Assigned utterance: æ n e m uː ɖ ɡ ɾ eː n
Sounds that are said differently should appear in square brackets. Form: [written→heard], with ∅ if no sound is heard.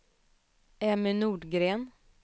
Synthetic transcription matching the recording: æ [n→m] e [m→n] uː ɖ ɡ ɾ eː n